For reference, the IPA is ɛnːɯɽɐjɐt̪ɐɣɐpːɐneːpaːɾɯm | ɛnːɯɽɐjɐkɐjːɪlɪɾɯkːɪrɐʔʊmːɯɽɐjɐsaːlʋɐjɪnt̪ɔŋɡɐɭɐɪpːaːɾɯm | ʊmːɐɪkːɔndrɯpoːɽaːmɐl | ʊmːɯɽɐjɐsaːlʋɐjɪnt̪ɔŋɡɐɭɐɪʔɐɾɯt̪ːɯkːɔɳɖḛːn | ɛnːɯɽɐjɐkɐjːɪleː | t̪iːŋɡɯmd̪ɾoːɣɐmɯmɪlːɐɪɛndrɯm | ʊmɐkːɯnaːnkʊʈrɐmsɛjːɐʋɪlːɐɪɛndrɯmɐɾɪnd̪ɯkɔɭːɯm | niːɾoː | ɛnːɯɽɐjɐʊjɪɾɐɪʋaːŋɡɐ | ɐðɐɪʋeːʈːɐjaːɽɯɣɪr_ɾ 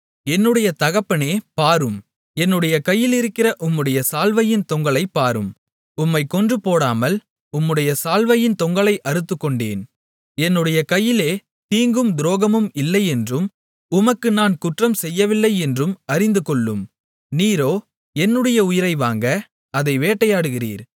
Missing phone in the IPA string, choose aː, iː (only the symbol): iː